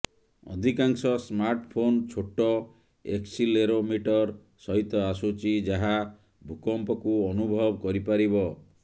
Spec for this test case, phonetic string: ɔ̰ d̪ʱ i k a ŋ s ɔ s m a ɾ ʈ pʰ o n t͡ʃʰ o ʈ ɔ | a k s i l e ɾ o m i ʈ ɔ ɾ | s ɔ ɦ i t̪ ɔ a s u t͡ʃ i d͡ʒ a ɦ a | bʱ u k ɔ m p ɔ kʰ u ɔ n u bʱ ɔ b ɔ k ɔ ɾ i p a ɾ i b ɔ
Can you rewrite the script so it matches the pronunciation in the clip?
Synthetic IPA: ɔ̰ d̪ʱ i k a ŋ s ɔ s m a ɾ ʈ pʰ o n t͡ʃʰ o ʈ ɔ | e k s i l e ɾ o m i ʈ ɔ ɾ | s ɔ ɦ i t̪ ɔ a s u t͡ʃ i d͡ʒ a ɦ a | bʱ u k ɔ m p ɔ k u ɔ n u bʱ ɔ b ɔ k ɔ ɾ i p a ɾ i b ɔ

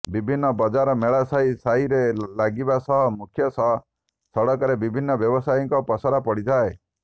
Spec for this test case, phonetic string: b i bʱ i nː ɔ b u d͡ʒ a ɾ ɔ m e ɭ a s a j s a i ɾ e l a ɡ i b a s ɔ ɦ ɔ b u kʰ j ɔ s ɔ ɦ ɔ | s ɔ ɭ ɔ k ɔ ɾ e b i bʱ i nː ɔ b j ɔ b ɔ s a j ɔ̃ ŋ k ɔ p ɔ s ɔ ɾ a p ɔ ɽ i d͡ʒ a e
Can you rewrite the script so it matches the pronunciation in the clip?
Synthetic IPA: b i bʱ i nː ɔ b ɔ d͡ʒ a ɾ ɔ m e ɭ a s a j s a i ɾ e l a ɡ i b a s ɔ ɦ ɔ m u kʰ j ɔ s ɔ ɦ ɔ | s ɔ ɽ ɔ k ɔ ɾ e b i bʱ i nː ɔ b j ɔ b ɔ s a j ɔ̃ ŋ k ɔ p ɔ s ɔ ɾ a p ɔ ɽ i d͡ʒ a e

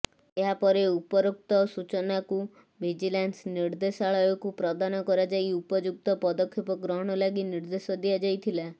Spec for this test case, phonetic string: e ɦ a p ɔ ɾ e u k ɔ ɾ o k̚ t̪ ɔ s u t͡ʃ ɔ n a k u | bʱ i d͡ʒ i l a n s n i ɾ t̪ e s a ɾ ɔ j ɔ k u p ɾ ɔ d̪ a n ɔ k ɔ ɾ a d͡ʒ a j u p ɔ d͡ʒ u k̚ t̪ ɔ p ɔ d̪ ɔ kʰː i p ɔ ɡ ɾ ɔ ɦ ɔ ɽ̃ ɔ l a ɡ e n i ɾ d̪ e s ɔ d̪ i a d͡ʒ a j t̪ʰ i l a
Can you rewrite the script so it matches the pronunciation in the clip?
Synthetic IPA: e ɦ a p ɔ ɾ e u p ɔ ɾ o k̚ t̪ ɔ s u t͡ʃ ɔ n a k u | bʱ i d͡ʒ i l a n s n i ɾ d̪ e s a ɭ ɔ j ɔ k u p ɾ ɔ d̪ a n ɔ k ɔ ɾ a d͡ʒ a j u p ɔ d͡ʒ u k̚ t̪ ɔ p ɔ d̪ ɔ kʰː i p ɔ ɡ ɾ ɔ ɦ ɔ ɽ̃ ɔ l a ɡ i n i ɾ d̪ e s ɔ d̪ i a d͡ʒ a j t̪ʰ i l a

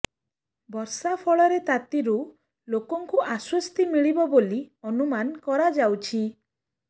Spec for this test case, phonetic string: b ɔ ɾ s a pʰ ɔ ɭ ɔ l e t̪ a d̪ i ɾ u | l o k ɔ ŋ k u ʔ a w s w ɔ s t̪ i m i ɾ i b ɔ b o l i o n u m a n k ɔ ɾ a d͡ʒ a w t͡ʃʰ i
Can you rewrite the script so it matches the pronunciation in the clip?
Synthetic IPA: b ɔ ɾ s a pʰ ɔ ɭ ɔ ɾ e t̪ a t̪ i ɾ u | l o k ɔ ŋ k u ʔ a s w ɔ s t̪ i m i ɭ i b ɔ b o l i ɔ n u m a n k ɔ ɾ a d͡ʒ a w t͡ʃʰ i

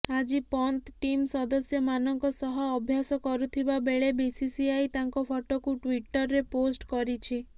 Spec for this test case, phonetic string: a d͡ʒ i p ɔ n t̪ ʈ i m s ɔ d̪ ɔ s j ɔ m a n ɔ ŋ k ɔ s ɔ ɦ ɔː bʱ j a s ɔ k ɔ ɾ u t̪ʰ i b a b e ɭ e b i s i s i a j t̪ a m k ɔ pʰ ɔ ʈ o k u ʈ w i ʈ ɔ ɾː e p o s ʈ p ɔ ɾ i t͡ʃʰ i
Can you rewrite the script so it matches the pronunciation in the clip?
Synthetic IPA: a d͡ʒ i p ɔ n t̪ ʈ i m s ɔ d̪ ɔ s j ɔ m a n ɔ ŋ k ɔ s ɔ ɦ ɔː bʱ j a s ɔ k ɔ ɾ u t̪ʰ i b a b e ɭ e b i s i s i a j t̪ a ŋ k ɔ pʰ ɔ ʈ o k u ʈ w i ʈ ɔ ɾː e p o s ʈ k ɔ ɾ i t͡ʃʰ i

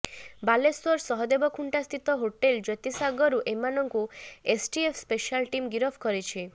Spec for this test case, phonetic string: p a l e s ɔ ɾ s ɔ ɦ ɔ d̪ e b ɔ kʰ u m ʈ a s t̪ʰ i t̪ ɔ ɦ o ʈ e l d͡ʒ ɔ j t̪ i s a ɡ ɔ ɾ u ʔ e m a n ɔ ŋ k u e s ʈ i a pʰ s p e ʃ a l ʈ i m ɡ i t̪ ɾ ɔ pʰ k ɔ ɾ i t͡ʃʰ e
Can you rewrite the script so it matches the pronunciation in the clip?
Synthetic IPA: b a l e s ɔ ɾ s ɔ ɦ ɔ d̪ e b ɔ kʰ u ɳ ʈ a s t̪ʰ i t̪ ɔ ɦ o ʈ e l d͡ʒ ɔ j t̪ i s a ɡ ɔ ɾ u ʔ e m a n ɔ ŋ k u e s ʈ i e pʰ s p e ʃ a l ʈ i m ɡ i ɾ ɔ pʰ k ɔ ɾ i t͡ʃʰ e

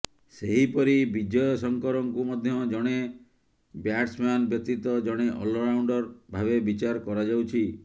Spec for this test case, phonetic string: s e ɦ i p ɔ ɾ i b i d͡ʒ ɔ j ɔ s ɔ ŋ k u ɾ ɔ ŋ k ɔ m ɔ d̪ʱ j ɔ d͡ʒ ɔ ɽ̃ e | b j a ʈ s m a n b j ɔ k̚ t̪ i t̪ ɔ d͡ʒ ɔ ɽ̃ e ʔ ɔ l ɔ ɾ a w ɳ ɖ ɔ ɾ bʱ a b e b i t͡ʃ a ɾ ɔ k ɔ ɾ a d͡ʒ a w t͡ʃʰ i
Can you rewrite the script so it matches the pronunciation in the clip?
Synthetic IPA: s e ɦ i p ɔ ɾ i b i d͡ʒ ɔ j ɔ s ɔ ŋ k ɔ ɾ ɔ ŋ k u m ɔ d̪ʱ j ɔ d͡ʒ ɔ ɽ̃ e | b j a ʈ s m a n b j ɔ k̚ t̪ i t̪ ɔ d͡ʒ ɔ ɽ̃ e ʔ ɔ l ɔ ɾ a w ɳ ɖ ɔ ɾ bʱ a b e b i t͡ʃ a ɾ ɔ k ɔ ɾ a d͡ʒ a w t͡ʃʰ i

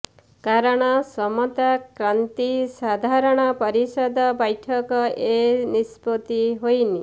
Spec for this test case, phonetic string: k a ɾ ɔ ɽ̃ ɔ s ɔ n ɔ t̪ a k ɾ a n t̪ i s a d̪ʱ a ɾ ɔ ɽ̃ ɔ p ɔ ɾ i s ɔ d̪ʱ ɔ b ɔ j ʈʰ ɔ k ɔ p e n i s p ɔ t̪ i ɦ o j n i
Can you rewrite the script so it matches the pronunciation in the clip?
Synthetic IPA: k a ɾ ɔ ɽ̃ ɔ s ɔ m ɔ t̪ a k ɾ a n t̪ i s a d̪ʱ a ɾ ɔ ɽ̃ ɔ p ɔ ɾ i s ɔ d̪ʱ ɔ b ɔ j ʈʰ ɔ k ɔ e n i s p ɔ t̪ i ɦ o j n i

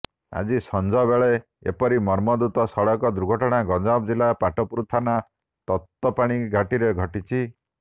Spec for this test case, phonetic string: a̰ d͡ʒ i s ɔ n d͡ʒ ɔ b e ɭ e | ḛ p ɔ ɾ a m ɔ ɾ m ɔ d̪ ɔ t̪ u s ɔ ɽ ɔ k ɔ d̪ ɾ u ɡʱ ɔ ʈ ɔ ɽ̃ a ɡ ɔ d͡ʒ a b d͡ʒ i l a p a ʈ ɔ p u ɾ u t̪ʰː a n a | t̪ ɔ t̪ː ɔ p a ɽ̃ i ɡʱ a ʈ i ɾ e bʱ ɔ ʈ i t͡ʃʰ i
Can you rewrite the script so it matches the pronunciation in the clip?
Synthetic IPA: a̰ d͡ʒ i s ɔ n d͡ʒ ɔ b e ɭ e | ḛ p ɔ ɾ i m ɔ ɾ m ɔ d̪ u t̪ ɔ s ɔ ɽ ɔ k ɔ d̪ ɾ u ɡʱ ɔ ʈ ɔ ɽ̃ a ɡ ɔ d͡ʒ a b d͡ʒ i l a p a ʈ ɔ p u ɾ u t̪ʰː a n a | t̪ ɔ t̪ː ɔ p a ɽ̃ i ɡʱ a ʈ i ɾ e ɡʱ ɔ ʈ i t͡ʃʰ i

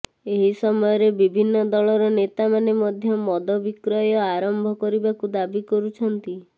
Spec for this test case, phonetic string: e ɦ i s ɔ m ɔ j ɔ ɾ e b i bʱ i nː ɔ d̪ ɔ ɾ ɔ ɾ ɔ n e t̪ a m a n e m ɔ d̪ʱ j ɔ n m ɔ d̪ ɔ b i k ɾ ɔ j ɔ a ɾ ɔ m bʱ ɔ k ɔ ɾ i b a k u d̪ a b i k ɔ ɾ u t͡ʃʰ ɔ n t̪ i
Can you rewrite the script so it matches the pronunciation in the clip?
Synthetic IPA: e ɦ i s ɔ m ɔ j ɔ ɾ e b i bʱ i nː ɔ d̪ ɔ ɭ ɔ ɾ ɔ n e t̪ a m a n e m ɔ d̪ʱ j ɔ m ɔ d̪ ɔ b i k ɾ ɔ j ɔ a ɾ ɔ m bʱ ɔ k ɔ ɾ i b a k u d̪ a b i k ɔ ɾ u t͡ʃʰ ɔ n t̪ i

